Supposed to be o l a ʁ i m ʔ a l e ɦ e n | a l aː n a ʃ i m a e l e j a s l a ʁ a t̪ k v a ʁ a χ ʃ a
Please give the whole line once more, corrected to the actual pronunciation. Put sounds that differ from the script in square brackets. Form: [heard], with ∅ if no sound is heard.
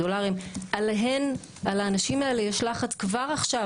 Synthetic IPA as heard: o l a ʁ i m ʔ a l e ɦ e n | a l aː n a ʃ i m a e l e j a [ʃ] l a [χ] a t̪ k v a ʁ a χ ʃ a